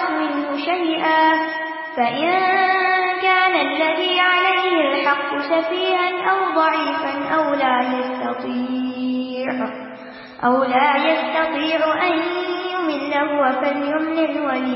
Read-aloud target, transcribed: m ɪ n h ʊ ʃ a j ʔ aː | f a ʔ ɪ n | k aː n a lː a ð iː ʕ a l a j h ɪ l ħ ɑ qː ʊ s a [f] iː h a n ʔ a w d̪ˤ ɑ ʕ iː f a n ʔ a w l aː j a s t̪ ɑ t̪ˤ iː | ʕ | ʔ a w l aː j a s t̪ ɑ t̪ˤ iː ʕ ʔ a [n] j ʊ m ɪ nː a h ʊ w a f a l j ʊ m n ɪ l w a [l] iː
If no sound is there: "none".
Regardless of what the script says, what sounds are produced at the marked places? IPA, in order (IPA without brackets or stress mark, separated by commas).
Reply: f, n, l